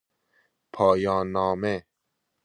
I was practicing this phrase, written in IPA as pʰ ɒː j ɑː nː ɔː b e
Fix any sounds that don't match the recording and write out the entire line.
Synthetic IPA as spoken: pʰ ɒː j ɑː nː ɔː m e